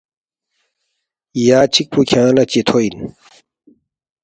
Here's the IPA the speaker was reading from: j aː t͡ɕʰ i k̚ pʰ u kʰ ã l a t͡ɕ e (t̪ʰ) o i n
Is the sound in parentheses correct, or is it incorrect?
correct